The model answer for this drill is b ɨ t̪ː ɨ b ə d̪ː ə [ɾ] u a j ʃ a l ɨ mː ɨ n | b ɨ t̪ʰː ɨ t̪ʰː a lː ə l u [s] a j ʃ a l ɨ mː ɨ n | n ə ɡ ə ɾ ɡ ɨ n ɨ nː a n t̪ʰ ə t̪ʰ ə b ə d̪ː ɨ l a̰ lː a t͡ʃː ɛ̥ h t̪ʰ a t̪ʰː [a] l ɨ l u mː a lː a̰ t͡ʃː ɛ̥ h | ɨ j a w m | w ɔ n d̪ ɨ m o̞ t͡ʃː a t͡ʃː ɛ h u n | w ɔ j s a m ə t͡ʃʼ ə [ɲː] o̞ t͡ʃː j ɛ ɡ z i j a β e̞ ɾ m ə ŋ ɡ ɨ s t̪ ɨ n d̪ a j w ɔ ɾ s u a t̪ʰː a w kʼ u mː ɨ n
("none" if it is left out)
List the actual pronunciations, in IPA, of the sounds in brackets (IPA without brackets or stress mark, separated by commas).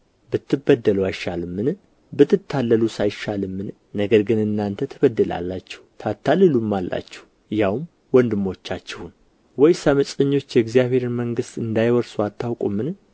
l, s, a, ɲː